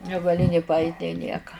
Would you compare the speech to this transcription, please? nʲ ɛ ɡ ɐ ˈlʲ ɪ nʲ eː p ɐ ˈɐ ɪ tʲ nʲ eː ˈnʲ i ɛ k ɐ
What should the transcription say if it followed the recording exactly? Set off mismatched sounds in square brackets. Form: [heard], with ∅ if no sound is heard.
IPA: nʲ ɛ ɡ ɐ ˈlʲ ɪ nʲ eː p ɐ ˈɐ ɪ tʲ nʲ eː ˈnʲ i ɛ k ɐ